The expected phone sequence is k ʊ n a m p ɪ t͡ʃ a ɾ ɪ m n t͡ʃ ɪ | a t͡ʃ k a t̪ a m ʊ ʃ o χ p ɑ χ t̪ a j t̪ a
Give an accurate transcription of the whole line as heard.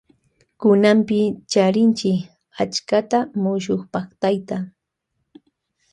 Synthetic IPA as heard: k ʊ n a m p ɪ t͡ʃ a ɾ ɪ n t͡ʃ ɪ | a t͡ʃ k a t̪ a m ʊ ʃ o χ p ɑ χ t̪ a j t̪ a